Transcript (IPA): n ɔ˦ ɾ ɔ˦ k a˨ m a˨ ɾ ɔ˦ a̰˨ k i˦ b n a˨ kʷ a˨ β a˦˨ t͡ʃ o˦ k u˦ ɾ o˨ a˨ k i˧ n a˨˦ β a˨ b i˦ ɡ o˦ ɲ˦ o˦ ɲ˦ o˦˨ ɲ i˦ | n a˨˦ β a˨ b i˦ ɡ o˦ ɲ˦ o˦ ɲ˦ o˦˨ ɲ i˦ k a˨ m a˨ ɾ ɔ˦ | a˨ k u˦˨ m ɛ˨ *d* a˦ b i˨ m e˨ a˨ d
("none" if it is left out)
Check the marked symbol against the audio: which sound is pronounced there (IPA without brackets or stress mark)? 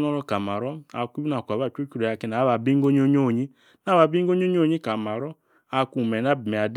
n